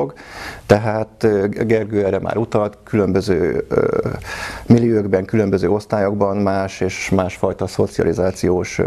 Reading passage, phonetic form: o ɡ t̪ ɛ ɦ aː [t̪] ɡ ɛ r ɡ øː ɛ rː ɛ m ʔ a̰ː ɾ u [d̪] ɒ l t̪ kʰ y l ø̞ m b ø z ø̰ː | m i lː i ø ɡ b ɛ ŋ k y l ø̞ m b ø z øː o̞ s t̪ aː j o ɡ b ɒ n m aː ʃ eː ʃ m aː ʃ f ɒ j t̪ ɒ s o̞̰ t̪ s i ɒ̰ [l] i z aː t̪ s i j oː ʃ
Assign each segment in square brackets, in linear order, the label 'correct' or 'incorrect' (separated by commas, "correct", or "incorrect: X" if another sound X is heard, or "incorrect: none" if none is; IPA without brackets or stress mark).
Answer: correct, incorrect: t̪, correct